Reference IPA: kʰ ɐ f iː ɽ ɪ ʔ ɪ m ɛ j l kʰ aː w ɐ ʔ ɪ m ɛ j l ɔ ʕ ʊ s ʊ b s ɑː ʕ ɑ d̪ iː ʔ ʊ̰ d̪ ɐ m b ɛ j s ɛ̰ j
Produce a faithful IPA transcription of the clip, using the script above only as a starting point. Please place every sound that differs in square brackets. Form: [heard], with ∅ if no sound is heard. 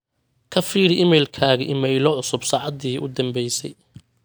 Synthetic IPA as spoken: kʰ ɐ f iː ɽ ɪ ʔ ɪ m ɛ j l kʰ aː [ɣ] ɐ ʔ ɪ m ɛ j l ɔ ʕ ʊ s ʊ b s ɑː ʕ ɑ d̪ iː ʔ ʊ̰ d̪ ɐ m b ɛ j s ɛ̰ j

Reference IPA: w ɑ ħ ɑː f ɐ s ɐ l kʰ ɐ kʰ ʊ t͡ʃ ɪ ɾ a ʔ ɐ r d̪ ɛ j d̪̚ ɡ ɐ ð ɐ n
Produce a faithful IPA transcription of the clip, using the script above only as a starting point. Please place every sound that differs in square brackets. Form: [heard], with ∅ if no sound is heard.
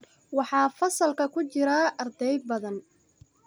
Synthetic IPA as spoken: w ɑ ħ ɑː f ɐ s ɐ l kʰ ɐ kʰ ʊ t͡ʃ ɪ ɾ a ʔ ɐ r d̪ ɛ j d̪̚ [b] ɐ ð ɐ n

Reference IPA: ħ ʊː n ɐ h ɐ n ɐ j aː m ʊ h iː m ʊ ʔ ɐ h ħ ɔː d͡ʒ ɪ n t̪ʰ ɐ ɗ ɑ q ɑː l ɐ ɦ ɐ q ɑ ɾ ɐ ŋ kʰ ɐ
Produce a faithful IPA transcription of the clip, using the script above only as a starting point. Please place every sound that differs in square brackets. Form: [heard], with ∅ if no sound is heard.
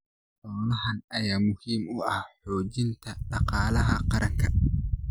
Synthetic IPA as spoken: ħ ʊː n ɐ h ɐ n ɐ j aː m ʊ h iː m ʊ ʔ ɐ h ħ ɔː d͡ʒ ɪ n t̪ʰ ɐ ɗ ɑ q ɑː l ɐ ɦ ɐ q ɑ ɾ ɐ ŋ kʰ ɐ

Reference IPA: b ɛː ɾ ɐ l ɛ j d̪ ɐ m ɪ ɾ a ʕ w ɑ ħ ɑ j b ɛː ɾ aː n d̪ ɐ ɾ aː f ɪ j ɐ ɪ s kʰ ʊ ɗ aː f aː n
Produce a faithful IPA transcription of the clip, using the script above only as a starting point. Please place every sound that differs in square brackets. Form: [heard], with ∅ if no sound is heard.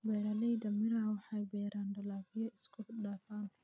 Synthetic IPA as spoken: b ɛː ɾ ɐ l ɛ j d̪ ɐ m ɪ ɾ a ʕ w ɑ ħ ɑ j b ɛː ɾ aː n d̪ ɐ [l] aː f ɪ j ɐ ɪ s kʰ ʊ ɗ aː f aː n

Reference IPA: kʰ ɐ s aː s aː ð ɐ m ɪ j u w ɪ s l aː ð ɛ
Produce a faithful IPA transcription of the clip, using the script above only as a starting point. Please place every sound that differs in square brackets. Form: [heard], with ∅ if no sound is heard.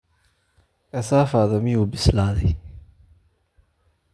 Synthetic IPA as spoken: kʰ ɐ s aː [f] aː ð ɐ m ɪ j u [b] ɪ s l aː ð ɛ

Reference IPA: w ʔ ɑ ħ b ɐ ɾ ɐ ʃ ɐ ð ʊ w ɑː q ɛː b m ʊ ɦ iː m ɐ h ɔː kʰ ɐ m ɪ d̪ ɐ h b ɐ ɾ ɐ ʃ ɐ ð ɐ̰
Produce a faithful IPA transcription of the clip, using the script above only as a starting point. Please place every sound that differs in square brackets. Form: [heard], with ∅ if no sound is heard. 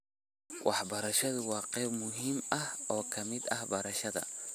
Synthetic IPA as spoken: w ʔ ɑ ħ b ɐ ɾ ɐ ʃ ɐ ð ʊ w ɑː q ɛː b m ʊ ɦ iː m ɐ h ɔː kʰ ɐ m ɪ d̪ ɐ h b ɐ ɾ ɐ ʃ ɐ ð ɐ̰

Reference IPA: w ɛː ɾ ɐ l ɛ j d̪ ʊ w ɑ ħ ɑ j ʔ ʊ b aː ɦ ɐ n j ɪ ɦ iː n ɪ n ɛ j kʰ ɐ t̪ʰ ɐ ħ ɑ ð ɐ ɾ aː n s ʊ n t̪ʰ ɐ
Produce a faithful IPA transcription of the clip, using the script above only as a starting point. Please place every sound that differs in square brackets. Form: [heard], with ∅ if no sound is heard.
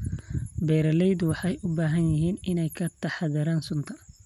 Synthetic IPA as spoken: [b] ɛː ɾ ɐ l ɛ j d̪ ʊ w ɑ ħ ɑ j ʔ ʊ b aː ɦ ɐ n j ɪ ɦ iː n ɪ n ɛ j kʰ ɐ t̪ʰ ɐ ħ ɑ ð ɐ ɾ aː n s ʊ n t̪ʰ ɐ

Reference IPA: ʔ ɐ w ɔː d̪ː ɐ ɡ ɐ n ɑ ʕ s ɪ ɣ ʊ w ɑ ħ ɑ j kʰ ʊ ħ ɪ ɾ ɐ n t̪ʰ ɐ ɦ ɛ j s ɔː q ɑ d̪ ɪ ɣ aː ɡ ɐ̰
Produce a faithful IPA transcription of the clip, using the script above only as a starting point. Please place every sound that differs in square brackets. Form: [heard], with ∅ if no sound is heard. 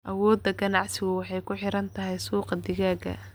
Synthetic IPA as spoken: ʔ ɐ w ɔː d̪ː ɐ ɡ ɐ n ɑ ʕ s ɪ ɣ ʊ w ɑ ħ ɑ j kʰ ʊ ħ ɪ ɾ ɐ n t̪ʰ ɐ ɦ ɛ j s [uː] q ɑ d̪ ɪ ɣ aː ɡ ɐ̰

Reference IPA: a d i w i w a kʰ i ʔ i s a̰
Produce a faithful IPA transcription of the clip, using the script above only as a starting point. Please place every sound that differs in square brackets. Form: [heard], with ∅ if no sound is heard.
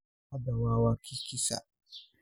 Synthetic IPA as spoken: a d [a] w [a] w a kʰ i [k] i s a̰

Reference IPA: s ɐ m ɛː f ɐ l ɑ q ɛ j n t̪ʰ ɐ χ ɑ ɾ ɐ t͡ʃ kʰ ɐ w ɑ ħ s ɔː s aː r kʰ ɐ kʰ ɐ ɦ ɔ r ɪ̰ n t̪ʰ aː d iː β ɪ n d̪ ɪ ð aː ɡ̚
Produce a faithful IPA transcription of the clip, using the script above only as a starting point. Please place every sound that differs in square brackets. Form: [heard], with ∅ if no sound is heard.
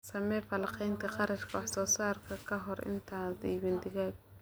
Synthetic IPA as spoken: s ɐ m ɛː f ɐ l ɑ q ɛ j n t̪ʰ ɐ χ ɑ ɾ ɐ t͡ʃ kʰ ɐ w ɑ ħ s ɔː s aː r kʰ ɐ kʰ ɐ ɦ ɔ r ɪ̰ n t̪ʰ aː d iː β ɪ n d̪ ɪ [ɣ] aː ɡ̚

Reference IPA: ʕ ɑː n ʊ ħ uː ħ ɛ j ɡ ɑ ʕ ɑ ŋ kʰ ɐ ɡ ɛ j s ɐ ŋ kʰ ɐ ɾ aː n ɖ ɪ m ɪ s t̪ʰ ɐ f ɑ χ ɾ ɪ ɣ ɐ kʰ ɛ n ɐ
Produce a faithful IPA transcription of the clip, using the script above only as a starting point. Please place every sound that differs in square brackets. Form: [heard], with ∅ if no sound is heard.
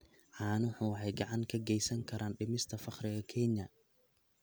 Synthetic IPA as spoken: ʕ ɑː n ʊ ħ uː ħ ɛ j ɡ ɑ ʕ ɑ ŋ kʰ ɐ ɡ ɛ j s ɐ ŋ kʰ ɐ ɾ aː n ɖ ɪ m ɪ s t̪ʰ ɐ f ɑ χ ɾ ɪ ɣ ɐ kʰ ɛ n ɐ

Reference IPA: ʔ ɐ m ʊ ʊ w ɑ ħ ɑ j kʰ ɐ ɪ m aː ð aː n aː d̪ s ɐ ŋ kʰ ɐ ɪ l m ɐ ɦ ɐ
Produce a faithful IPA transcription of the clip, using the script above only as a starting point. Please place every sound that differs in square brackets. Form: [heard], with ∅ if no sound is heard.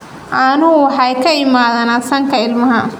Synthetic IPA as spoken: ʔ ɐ [n] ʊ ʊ w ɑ ħ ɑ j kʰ ɐ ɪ m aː ð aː n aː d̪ s ɐ ŋ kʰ ɐ ɪ l m ɐ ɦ ɐ

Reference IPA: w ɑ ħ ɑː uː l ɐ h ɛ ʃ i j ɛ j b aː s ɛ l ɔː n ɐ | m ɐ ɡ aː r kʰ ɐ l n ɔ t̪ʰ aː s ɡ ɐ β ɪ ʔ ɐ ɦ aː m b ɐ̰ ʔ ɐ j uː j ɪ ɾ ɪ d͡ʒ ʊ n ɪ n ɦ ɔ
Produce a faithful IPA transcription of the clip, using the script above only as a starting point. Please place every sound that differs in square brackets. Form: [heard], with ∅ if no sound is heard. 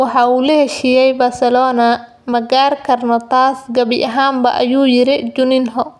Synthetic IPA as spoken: w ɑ ħ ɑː uː l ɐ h ɛ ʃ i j ɛ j b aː s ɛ l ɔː n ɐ | m ɐ ɡ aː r kʰ ɐ [r] n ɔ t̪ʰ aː s ɡ ɐ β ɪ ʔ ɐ ɦ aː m b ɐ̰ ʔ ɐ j uː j ɪ ɾ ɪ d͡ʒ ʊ n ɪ n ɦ ɔ

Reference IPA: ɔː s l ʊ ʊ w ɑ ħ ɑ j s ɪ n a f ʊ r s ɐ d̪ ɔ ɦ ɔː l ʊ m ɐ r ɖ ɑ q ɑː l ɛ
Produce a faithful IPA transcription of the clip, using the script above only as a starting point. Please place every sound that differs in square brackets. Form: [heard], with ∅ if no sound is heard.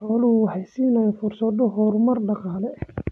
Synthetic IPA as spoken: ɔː [∅] l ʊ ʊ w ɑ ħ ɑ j s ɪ n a f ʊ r s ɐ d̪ ɔ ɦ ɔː [ɾ] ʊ m ɐ r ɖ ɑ q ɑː l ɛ

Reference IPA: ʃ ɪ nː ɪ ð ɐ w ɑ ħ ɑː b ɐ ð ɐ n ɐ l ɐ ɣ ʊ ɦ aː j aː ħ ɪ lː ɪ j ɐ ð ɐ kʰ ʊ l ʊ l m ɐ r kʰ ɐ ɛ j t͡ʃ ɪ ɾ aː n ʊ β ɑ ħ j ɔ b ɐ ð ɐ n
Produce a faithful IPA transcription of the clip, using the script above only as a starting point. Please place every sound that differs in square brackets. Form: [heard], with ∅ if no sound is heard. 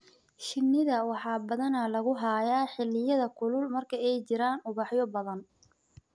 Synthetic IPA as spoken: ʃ ɪ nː ɪ ð ɐ w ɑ ħ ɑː b ɐ ð ɐ n ɐ l ɐ ɣ ʊ ɦ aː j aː ħ ɪ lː ɪ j ɐ ð ɐ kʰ ʊ l ʊ l m ɐ r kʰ ɐ ɛ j t͡ʃ ɪ ɾ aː n ʊ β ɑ ħ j ɔ b ɐ ð ɐ n

